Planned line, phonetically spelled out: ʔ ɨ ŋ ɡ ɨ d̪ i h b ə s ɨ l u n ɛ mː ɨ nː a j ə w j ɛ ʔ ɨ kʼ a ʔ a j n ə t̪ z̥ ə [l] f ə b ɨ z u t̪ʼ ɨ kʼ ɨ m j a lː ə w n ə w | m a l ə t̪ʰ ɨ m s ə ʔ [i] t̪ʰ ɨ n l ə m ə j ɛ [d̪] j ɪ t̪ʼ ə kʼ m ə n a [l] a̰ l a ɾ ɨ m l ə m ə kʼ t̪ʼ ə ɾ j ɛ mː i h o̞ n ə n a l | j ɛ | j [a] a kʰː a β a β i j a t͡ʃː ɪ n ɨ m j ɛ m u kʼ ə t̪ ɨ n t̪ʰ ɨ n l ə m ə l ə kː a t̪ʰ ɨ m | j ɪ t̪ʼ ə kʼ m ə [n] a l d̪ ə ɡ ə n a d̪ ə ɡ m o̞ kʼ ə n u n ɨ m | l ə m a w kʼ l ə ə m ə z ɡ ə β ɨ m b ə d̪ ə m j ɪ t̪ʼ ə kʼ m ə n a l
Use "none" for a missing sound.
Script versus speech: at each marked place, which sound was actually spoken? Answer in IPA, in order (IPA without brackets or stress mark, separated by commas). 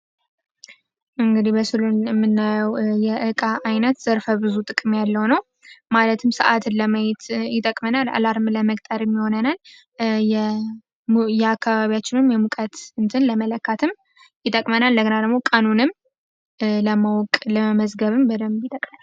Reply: ɾ, a, t̪, l, ɛ, n